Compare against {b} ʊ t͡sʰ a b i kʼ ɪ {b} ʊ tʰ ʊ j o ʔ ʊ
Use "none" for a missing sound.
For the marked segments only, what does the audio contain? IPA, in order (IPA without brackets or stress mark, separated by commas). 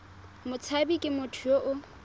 m, m